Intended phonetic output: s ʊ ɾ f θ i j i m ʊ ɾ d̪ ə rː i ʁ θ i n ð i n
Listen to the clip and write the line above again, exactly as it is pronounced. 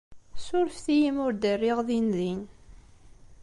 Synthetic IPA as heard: s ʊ ɾ f θ i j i m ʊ ɾ d̪ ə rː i ʁ ð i n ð i n